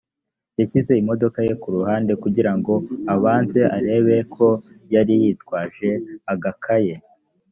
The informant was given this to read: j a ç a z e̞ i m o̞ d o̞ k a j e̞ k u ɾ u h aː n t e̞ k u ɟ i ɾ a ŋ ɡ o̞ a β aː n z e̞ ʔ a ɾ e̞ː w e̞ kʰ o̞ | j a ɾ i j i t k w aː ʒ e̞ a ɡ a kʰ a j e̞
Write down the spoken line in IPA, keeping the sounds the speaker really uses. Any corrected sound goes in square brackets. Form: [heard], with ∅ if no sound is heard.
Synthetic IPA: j a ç [i] z e̞ i m o̞ d o̞ k a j e̞ k u ɾ u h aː n [d] e̞ k u ɟ i ɾ a ŋ ɡ o̞ a β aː n z e̞ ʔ a ɾ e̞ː [β] e̞ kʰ o̞ | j a ɾ i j i t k w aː ʒ e̞ a ɡ a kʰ a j e̞